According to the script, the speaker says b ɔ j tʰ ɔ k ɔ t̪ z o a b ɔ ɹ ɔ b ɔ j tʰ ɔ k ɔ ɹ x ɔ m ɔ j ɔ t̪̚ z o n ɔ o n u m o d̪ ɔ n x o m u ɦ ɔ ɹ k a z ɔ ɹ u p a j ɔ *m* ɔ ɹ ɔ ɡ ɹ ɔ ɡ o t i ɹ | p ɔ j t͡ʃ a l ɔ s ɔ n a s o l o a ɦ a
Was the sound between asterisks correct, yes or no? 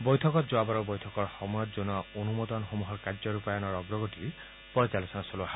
no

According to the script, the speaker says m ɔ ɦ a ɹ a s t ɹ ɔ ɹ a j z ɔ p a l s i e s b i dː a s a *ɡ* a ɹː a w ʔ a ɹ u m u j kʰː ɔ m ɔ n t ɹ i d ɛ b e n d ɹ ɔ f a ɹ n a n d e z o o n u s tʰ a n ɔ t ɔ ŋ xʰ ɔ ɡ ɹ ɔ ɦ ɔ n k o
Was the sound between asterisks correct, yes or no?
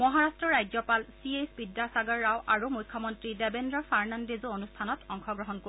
yes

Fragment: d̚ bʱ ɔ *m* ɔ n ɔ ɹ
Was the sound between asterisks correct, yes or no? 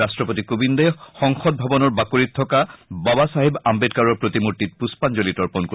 no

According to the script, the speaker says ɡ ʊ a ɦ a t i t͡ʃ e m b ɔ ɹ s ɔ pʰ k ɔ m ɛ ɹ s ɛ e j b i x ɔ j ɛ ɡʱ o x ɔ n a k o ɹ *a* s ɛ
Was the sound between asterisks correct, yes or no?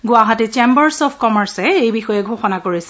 no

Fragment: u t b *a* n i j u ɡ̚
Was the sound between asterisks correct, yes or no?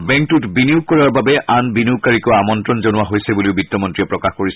no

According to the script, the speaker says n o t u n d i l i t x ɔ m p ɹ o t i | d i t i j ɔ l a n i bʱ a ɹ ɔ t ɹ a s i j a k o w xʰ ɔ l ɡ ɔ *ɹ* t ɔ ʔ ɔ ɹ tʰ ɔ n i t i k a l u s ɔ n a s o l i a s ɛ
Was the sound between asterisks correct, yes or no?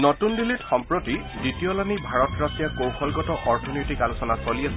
no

